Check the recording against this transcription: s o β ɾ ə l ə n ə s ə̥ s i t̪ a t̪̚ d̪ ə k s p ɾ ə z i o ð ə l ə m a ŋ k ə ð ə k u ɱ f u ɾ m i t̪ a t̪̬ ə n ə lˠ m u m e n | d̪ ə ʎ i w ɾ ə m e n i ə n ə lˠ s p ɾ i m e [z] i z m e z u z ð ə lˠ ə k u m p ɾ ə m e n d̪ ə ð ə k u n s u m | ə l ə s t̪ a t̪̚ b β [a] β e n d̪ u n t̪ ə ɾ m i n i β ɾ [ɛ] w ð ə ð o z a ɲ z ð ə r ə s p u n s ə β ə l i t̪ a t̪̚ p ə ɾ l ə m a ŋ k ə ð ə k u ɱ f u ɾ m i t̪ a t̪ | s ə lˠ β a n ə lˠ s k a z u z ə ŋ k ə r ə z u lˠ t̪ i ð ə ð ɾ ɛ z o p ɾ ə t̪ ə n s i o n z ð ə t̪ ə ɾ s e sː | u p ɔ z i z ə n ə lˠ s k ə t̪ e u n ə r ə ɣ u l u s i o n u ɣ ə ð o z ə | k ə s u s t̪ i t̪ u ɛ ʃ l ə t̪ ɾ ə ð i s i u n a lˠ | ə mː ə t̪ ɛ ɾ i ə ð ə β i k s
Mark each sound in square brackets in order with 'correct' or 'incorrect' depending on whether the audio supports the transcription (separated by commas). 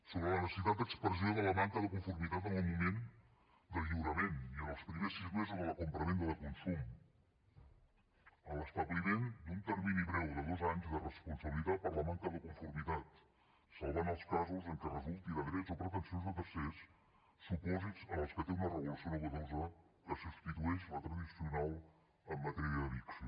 incorrect, incorrect, correct